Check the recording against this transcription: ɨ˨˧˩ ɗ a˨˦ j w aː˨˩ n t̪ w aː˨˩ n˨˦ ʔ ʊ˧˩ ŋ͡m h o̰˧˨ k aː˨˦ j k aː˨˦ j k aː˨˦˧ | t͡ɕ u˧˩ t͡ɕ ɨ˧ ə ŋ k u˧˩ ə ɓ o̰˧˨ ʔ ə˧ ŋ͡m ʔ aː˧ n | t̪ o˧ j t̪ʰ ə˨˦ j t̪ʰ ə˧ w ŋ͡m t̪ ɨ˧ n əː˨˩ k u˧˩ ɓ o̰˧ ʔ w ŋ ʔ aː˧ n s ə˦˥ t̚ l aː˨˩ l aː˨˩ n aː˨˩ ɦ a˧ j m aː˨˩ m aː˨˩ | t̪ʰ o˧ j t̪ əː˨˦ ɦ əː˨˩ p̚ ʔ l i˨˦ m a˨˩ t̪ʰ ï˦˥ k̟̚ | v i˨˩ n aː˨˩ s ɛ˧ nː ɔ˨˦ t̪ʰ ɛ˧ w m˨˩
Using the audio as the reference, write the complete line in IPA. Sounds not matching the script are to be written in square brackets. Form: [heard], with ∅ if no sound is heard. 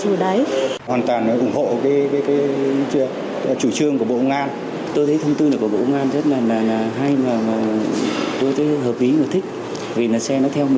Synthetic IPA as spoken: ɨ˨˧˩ ɗ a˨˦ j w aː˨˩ n t̪ w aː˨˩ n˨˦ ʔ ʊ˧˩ ŋ͡m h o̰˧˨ k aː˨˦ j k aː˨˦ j k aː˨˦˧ | t͡ɕ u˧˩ t͡ɕ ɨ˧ ə ŋ k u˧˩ ə ɓ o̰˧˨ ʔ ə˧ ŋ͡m ʔ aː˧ n | t̪ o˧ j t̪ʰ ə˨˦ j t̪ʰ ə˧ w ŋ͡m t̪ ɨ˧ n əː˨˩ k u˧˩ ɓ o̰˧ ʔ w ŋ ʔ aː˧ n [z] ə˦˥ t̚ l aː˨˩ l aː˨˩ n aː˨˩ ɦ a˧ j m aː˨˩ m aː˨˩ | [t̪] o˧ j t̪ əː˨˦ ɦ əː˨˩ p̚ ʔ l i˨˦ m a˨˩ t̪ʰ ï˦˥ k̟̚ | v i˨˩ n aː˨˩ s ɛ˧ [n] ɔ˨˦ t̪ʰ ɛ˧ w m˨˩